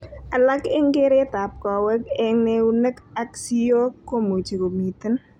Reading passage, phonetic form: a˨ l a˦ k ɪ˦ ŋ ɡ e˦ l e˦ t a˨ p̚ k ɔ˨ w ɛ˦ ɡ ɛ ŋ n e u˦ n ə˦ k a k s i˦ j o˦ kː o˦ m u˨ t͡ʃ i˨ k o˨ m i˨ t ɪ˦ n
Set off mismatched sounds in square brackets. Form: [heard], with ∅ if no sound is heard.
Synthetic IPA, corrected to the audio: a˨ l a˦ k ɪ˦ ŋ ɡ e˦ [ɾ] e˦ t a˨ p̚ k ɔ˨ w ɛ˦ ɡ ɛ ŋ n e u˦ n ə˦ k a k s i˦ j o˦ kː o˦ m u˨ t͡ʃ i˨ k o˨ m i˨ t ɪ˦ n